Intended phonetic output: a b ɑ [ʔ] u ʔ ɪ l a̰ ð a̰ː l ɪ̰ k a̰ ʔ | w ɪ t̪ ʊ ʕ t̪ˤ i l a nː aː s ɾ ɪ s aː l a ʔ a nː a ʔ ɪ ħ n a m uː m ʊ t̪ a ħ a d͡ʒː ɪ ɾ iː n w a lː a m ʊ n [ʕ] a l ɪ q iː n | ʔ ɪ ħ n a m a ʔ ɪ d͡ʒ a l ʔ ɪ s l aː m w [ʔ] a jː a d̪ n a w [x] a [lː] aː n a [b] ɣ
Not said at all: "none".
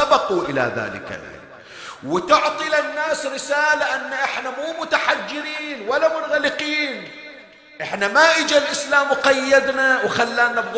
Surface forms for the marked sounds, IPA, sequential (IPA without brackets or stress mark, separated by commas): q, ɣ, q, x, lː, b